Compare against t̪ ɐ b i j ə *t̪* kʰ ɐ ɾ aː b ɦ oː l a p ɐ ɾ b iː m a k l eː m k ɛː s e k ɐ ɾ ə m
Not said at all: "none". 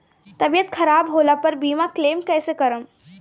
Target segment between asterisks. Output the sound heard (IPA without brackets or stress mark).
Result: t̪